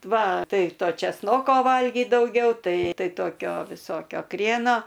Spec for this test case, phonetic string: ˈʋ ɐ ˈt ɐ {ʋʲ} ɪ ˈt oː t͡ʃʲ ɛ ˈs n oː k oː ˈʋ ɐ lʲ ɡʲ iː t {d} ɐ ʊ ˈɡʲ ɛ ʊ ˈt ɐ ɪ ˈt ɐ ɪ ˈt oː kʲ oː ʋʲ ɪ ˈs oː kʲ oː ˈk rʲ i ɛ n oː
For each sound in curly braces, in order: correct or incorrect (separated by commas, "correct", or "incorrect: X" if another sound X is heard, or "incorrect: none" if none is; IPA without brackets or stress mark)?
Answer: incorrect: none, correct